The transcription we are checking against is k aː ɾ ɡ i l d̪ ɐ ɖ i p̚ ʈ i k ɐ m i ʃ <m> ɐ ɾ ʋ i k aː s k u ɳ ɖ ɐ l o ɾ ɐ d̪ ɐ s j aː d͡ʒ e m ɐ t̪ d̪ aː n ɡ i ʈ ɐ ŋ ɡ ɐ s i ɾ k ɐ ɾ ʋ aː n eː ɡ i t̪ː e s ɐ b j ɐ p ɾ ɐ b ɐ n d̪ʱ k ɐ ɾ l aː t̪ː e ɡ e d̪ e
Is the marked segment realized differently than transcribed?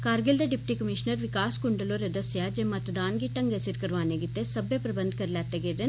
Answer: yes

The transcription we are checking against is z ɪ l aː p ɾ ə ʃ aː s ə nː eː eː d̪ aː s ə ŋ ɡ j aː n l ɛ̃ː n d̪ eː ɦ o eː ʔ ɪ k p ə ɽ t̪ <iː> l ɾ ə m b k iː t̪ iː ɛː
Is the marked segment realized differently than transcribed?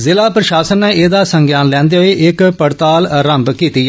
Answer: yes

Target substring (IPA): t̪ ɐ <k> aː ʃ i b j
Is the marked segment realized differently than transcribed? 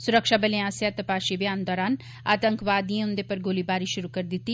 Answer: yes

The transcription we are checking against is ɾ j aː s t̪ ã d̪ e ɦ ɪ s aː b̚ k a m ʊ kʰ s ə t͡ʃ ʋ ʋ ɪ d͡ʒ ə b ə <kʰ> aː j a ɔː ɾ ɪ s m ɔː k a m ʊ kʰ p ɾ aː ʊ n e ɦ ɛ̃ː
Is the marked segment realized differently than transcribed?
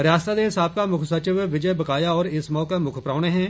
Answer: yes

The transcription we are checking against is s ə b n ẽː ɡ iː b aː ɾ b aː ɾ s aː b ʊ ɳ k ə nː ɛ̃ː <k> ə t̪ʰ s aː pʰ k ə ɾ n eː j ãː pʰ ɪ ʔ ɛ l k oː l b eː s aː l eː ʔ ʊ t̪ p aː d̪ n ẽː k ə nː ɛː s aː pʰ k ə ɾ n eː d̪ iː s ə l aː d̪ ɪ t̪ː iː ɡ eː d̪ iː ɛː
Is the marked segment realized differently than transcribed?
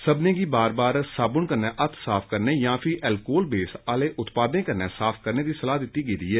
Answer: yes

